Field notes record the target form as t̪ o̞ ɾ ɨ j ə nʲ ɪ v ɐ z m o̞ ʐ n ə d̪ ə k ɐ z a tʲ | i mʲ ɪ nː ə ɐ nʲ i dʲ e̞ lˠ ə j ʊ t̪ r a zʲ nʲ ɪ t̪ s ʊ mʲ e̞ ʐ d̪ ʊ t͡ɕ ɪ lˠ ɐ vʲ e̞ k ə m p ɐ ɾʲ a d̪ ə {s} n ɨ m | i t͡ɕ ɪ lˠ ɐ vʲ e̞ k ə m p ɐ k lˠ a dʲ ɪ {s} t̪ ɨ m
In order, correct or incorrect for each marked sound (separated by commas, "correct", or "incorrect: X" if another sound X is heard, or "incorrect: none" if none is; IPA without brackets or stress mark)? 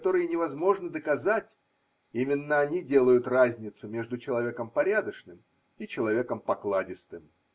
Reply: incorrect: ʂ, correct